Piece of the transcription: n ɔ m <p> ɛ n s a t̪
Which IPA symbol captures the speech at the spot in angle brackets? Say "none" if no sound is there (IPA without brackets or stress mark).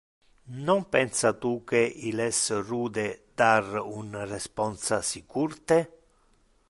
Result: p